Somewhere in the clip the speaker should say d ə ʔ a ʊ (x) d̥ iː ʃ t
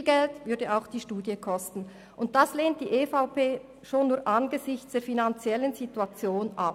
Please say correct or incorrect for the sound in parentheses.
correct